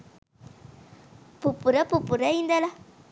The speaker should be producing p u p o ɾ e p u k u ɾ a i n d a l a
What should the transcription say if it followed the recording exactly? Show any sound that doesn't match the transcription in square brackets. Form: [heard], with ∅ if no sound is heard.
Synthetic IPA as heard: p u p [u] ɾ [a] p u [p] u ɾ a i n d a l a